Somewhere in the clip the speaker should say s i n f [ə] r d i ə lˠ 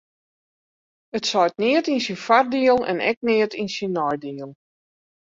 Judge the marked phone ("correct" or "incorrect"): incorrect